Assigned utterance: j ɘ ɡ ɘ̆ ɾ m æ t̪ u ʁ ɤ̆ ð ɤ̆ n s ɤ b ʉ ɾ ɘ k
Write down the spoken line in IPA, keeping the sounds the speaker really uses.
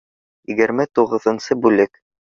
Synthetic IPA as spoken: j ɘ ɡ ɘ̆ ɾ m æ t̪ u ʁ ɤ̆ ð ɤ̆ n s ɤ b ʉ l ɘ k